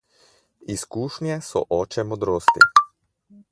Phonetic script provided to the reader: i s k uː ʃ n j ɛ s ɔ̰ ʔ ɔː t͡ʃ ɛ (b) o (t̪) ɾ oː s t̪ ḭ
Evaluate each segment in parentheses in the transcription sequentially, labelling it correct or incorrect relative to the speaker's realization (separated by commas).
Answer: incorrect, incorrect